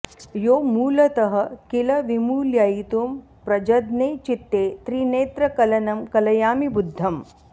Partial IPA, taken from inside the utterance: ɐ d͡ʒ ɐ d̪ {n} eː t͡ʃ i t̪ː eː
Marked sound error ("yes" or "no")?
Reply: no